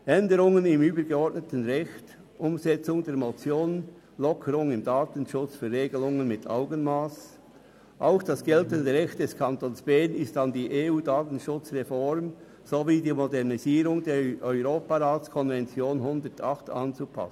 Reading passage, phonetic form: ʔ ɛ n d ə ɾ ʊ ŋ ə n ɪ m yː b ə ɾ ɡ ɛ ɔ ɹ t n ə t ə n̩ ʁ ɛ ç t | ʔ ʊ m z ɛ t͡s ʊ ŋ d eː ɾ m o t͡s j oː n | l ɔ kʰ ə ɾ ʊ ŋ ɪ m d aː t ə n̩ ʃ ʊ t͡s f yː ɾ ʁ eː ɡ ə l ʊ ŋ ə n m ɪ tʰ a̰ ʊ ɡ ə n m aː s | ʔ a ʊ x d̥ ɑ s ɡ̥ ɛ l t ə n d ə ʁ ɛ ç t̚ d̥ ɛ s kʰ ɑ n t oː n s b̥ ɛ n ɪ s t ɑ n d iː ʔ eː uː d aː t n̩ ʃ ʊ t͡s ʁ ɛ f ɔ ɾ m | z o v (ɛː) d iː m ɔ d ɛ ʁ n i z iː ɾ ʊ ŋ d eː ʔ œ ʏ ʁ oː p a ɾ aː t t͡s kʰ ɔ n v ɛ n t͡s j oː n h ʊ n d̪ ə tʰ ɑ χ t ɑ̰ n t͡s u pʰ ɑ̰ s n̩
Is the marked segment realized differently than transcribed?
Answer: yes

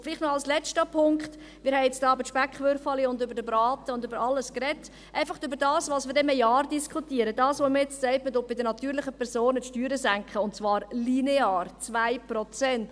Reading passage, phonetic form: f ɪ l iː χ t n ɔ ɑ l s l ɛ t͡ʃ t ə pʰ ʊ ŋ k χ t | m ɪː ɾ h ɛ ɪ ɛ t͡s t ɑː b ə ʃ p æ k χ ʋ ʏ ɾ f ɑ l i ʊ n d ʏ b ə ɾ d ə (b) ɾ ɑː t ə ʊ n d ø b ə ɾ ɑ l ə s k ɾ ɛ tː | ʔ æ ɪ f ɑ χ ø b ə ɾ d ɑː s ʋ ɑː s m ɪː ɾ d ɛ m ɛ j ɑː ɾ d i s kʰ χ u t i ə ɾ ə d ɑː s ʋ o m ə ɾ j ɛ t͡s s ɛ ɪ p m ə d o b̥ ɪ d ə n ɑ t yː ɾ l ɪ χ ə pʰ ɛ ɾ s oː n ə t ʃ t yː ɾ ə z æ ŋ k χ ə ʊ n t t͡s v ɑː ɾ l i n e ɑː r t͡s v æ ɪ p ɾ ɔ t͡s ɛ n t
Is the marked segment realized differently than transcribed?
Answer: no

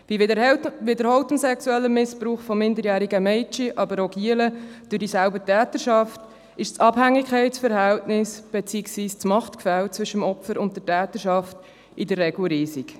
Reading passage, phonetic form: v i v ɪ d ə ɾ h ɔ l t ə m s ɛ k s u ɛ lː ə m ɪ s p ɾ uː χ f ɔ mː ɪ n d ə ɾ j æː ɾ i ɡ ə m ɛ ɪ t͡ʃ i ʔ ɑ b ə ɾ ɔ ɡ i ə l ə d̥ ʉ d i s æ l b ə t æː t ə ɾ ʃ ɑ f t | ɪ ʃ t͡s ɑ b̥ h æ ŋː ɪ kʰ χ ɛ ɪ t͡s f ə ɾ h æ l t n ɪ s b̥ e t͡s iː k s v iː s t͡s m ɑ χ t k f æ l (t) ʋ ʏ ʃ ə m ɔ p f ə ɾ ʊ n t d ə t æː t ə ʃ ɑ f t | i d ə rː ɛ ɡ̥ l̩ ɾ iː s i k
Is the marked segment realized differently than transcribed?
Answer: yes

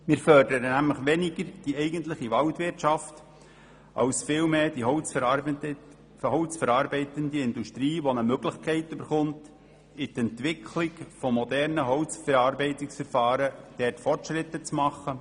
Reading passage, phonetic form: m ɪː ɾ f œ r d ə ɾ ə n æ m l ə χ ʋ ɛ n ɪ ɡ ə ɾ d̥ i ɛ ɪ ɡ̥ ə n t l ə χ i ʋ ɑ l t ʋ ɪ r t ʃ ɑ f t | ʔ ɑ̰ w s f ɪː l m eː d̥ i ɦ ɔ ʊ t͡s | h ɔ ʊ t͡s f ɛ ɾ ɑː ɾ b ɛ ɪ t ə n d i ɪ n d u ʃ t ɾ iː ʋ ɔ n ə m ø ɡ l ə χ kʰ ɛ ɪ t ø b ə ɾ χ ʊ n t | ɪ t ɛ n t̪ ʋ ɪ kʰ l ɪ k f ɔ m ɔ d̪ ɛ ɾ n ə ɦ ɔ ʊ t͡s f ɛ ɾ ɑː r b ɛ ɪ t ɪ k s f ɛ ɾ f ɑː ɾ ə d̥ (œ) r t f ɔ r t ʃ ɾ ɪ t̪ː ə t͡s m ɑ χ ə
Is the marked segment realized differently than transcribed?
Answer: yes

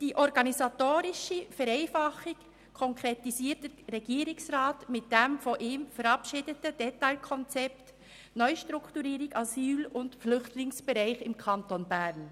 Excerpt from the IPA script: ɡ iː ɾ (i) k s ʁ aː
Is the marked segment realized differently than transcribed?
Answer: yes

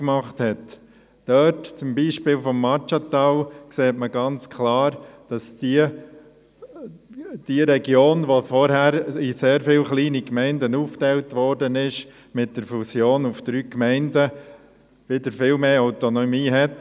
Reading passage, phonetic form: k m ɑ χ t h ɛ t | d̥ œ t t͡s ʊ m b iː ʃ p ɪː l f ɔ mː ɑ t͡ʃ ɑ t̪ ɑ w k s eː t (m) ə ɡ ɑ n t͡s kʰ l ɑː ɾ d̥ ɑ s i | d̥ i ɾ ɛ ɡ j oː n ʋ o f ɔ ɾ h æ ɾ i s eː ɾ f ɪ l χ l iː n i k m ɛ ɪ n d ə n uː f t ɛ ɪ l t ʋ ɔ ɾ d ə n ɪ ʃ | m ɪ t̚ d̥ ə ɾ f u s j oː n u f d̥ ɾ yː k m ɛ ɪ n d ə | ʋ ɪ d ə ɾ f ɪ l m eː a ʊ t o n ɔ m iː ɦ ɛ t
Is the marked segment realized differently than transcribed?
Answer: no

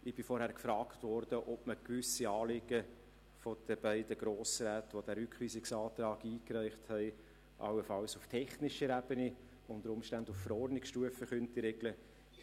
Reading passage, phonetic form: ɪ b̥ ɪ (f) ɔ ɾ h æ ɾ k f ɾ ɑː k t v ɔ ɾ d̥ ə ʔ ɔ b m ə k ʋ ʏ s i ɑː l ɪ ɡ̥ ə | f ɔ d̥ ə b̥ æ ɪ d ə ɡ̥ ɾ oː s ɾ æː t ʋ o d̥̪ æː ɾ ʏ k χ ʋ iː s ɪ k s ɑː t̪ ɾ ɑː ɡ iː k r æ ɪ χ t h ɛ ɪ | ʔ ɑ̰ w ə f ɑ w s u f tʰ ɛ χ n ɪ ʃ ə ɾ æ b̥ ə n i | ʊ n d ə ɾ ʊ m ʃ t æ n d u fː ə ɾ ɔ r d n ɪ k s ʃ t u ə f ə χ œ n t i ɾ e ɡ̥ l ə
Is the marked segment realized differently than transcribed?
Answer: no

